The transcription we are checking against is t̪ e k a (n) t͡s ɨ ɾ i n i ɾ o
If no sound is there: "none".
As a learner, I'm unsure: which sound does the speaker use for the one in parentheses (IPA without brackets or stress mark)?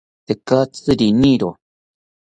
none